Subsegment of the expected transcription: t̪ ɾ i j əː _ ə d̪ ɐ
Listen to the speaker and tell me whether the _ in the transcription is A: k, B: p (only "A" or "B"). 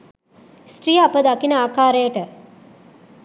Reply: B